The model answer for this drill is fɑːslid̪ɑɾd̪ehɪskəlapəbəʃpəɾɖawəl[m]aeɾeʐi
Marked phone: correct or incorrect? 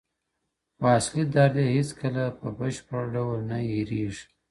incorrect